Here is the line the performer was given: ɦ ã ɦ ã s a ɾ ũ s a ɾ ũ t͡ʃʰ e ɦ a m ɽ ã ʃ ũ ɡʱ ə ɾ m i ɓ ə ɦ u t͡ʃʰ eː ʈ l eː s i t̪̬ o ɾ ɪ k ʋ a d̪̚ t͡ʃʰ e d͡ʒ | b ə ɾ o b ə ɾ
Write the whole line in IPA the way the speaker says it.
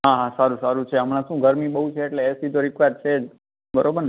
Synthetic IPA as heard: ɦ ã ɦ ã s a ɾ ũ s a ɾ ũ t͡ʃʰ e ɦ ə m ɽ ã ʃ ũ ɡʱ ə ɾ m i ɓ ə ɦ u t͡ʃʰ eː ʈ l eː s i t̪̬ o ɾ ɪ k ʋ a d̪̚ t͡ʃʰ e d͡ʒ | b ə ɾ o b ə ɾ